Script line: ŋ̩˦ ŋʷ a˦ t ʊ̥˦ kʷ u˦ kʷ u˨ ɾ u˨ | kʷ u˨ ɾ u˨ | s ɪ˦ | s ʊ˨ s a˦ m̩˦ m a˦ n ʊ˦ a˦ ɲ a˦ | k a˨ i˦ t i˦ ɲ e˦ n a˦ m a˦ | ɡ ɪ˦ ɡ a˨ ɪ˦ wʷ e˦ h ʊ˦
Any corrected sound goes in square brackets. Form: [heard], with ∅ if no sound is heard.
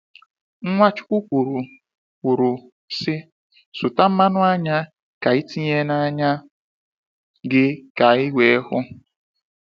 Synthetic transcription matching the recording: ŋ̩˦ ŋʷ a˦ [t͡ʃ] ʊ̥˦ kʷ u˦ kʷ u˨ ɾ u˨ | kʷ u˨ ɾ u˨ | s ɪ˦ | s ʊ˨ [t] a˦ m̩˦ m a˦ n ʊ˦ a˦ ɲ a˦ | k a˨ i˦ t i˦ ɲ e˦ n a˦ [ɲ] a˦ | ɡ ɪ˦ [k] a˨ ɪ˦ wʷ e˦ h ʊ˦